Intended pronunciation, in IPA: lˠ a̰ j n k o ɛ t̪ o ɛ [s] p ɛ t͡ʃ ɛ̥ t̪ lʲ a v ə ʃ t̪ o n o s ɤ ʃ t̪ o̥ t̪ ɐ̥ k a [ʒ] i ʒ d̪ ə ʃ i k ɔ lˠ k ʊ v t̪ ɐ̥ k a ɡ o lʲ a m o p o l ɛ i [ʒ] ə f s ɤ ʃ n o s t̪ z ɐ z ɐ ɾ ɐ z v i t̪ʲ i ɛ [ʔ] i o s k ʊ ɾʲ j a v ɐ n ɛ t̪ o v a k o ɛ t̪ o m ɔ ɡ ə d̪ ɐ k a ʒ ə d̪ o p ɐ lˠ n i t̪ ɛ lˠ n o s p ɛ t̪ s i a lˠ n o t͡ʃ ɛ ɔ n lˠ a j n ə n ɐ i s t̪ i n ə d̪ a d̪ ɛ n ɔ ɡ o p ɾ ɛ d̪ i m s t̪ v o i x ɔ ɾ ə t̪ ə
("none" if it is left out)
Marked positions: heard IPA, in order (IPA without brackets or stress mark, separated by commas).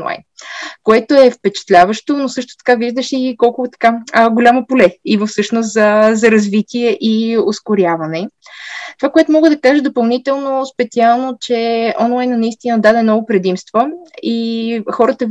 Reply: f, v, v, ʔ